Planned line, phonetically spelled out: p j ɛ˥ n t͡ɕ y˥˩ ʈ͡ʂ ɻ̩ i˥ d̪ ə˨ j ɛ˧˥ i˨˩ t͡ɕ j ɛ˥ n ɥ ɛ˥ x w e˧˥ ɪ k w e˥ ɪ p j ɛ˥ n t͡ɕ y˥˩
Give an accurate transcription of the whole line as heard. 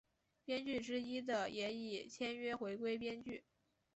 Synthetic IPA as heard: p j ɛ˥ n t͡ɕ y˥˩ ʈ͡ʂ ɻ̩ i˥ d̪ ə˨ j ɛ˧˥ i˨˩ t͡ɕʰ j ɛ˥ n ɥ ɛ˥ x w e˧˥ ɪ k w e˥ ɪ p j ɛ˥ n t͡ɕ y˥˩